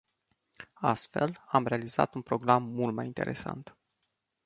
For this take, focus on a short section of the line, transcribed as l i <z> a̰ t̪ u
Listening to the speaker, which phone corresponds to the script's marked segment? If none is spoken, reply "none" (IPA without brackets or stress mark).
z